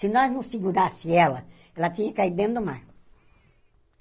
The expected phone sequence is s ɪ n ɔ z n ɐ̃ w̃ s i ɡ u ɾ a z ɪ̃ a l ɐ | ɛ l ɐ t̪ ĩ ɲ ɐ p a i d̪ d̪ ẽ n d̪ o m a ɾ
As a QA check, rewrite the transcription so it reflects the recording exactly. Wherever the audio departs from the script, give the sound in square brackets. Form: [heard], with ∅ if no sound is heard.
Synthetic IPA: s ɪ n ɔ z n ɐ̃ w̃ s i ɡ u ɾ a [s] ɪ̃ [ɛ] l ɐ | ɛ l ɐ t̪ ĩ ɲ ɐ [k] a i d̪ d̪ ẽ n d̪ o m a ɾ